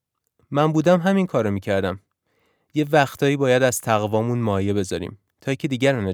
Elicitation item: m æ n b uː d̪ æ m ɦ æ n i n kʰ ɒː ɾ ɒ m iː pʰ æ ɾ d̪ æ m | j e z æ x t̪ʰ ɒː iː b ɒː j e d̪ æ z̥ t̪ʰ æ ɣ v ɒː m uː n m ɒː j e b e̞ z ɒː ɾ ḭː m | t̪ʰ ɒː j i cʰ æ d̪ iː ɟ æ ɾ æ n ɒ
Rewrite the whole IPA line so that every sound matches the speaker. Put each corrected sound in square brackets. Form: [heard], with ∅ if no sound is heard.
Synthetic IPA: m æ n b uː d̪ æ m ɦ æ [m] i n kʰ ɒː ɾ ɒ m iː [cʰ] æ ɾ d̪ æ m | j e [v] æ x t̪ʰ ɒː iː b ɒː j [æ] d̪ æ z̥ t̪ʰ æ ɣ v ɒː m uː n m ɒː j e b e̞ z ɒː ɾ ḭː m | t̪ʰ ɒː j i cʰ [e] d̪ iː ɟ æ ɾ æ n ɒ